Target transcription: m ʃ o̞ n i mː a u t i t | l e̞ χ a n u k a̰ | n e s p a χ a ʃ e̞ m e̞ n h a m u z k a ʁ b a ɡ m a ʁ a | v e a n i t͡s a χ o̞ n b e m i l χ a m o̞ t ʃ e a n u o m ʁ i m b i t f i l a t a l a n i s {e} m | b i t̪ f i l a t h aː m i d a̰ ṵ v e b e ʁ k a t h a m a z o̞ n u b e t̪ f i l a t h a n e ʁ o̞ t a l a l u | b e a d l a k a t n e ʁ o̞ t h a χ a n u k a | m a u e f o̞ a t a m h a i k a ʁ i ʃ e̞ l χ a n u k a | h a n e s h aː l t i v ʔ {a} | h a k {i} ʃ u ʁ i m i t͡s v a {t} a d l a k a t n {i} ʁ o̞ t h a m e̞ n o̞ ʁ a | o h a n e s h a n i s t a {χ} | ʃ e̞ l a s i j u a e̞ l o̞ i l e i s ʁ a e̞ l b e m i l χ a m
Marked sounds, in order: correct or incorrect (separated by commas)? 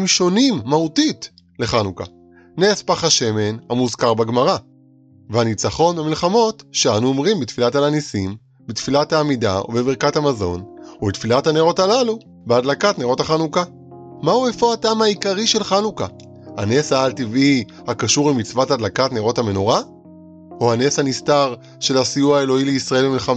incorrect, incorrect, incorrect, correct, incorrect, incorrect